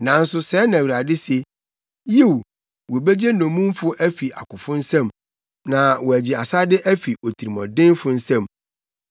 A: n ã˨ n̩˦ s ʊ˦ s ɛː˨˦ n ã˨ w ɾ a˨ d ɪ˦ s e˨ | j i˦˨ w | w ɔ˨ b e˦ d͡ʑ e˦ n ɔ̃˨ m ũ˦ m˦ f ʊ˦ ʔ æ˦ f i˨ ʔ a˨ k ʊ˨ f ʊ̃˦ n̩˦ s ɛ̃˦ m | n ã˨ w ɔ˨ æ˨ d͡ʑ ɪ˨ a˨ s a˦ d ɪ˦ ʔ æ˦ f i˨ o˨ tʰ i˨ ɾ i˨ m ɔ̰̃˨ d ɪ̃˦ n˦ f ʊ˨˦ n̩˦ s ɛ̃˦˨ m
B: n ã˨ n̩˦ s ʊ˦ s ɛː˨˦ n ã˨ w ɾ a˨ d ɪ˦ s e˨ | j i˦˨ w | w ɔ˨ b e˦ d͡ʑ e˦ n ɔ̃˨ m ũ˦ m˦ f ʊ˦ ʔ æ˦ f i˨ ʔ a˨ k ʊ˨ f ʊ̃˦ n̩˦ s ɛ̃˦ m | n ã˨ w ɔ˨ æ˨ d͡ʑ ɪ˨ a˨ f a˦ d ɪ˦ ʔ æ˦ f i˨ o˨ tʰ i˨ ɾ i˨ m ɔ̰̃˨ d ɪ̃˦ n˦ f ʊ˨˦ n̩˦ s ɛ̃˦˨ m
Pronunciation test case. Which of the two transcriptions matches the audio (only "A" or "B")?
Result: A